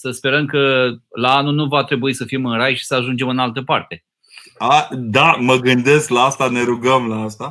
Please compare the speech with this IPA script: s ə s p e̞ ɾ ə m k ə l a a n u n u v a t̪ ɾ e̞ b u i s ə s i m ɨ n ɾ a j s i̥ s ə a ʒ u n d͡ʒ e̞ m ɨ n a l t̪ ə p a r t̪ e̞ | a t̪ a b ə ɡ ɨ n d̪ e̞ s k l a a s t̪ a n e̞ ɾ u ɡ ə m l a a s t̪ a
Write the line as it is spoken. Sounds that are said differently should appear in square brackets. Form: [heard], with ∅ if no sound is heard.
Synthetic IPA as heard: s ə s p e̞ ɾ ə m k ə l a a n u n u v a t̪ ɾ e̞ b u i s ə [f] i m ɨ n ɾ a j [ʃ] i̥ s ə a ʒ u n d͡ʒ e̞ m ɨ n a l t̪ ə p a r t̪ e̞ | a [d̪] a [m] ə ɡ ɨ n d̪ e̞ s k l a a s t̪ a n e̞ ɾ u ɡ ə m l a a s t̪ a